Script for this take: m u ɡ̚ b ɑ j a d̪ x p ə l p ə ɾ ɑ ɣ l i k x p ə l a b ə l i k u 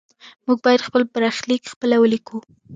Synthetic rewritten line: m u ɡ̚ b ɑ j a d̪ x p ə l p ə ɾ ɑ x l i k x p ə l a w ə l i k u